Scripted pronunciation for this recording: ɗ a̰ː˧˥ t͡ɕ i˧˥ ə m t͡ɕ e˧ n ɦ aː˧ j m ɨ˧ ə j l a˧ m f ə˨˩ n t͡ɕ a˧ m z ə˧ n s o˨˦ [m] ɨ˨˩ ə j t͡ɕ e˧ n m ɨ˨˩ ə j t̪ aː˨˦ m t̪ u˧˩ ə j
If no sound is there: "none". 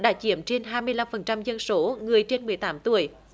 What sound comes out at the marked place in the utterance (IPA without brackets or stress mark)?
ŋ